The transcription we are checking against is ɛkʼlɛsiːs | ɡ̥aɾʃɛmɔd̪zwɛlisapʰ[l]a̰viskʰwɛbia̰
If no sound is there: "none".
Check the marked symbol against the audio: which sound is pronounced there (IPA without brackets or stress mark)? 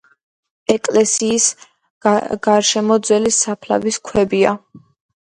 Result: l